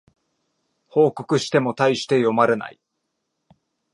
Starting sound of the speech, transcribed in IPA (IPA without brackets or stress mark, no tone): h